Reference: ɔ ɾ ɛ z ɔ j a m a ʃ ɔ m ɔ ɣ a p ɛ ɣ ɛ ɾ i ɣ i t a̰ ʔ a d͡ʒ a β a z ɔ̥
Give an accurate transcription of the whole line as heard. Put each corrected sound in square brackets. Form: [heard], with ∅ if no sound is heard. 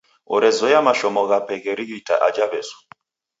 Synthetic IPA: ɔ ɾ ɛ z ɔ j a m a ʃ ɔ m ɔ ɣ a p ɛ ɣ ɛ ɾ i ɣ i t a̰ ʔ a d͡ʒ a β [ɛ] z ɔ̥